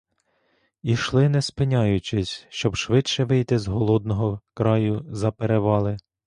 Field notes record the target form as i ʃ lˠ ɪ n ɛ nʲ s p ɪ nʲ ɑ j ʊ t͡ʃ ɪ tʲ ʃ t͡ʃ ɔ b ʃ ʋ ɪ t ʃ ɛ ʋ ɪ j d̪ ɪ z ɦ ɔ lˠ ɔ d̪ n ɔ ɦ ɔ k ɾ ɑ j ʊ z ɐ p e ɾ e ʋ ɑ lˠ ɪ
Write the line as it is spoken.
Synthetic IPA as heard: i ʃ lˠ ɪ n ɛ s p ɪ nʲ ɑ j ʊ t͡ʃ ɪ sʲ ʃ t͡ʃ ɔ b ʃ ʋ ɪ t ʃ ɛ ʋ ɪ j t̪ ɪ z ɦ ɔ lˠ ɔ d̪ n ɔ ɦ ɔ k ɾ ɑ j ʊ z ɐ p e ɾ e ʋ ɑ lˠ ɪ